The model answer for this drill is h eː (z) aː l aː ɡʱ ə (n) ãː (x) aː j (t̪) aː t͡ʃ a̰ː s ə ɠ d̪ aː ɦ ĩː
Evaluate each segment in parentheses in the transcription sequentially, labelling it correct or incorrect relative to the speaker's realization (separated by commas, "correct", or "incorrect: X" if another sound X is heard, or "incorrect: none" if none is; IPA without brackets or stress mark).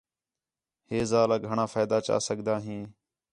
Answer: correct, incorrect: ɳ, incorrect: f, incorrect: d̪